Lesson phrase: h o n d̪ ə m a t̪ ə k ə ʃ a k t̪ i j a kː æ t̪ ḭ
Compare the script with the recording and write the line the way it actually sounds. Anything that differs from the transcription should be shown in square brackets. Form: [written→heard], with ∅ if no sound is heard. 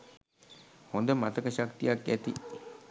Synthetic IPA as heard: h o n d̪ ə m a t̪ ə k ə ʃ a k t̪ i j a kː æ t̪ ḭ